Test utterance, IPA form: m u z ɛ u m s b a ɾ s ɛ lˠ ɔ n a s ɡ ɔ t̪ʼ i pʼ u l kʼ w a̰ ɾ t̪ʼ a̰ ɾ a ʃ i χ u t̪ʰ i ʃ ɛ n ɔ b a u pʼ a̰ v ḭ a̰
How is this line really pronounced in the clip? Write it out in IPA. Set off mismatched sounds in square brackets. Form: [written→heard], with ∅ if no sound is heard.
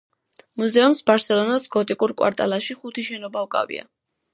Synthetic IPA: m u z ɛ u m s b a ɾ s ɛ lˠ ɔ n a s ɡ ɔ t̪ʼ i [pʼ→kʼ] u [l→ɾ] kʼ w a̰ ɾ t̪ʼ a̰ [ɾ→l] a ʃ i χ u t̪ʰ i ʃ ɛ n ɔ b a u [pʼ→kʼ] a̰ v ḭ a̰